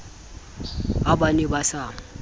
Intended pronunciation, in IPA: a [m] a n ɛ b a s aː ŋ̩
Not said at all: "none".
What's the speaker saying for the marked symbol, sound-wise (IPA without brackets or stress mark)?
b